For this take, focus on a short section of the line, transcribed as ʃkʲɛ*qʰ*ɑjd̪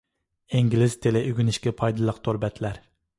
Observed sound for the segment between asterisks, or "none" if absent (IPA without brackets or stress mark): pʰ